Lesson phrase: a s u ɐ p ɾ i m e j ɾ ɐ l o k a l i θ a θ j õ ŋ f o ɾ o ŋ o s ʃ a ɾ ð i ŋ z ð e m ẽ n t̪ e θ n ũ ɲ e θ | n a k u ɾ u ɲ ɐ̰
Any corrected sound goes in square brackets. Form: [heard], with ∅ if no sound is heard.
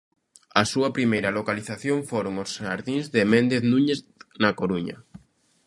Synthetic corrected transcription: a s u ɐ p ɾ i m e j ɾ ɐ l o k a l i θ a θ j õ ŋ f o ɾ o ŋ o s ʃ a ɾ ð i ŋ z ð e m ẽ n [d̪] e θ n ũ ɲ e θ | n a k [o] ɾ u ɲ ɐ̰